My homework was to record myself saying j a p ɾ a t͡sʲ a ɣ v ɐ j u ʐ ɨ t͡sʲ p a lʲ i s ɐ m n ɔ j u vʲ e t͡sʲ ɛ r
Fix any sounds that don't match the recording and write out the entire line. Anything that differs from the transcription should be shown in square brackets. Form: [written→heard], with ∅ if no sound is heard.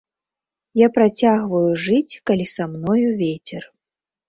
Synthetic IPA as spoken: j a p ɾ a t͡sʲ a ɣ v ɐ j u ʐ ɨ t͡sʲ [p→k] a lʲ i s [ɐ→a] m n ɔ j u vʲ e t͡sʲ ɛ r